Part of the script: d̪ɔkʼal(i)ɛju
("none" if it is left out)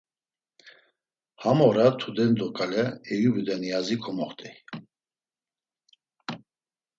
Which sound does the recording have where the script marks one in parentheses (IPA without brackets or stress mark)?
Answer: ɛ